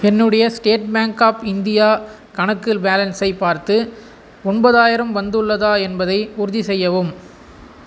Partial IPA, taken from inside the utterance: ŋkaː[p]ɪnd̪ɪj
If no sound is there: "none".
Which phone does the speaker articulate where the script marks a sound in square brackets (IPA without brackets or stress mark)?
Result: p